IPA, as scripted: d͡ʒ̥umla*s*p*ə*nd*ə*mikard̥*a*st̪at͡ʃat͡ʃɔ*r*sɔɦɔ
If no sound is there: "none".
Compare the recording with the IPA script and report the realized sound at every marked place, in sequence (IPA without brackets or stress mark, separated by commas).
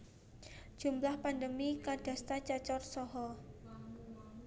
h, a, ə, a, r